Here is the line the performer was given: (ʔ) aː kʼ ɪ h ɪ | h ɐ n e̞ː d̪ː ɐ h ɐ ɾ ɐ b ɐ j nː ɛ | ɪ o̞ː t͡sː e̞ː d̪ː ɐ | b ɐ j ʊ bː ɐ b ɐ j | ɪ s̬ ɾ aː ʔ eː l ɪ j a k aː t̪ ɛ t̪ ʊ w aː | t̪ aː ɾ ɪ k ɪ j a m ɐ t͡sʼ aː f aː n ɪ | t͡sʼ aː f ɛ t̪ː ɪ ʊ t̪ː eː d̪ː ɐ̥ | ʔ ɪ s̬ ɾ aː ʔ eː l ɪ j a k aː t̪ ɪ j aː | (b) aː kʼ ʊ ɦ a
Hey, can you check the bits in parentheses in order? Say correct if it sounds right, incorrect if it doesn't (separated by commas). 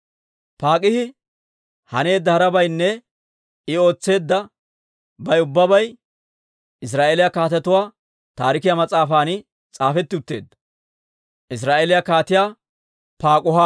incorrect, incorrect